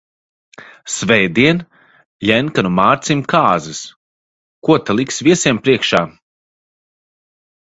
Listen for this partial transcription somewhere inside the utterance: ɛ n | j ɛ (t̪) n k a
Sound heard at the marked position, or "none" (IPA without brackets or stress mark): none